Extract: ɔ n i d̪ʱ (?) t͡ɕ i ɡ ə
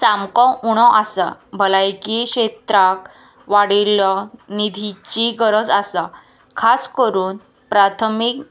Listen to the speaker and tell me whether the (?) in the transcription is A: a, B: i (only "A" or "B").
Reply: B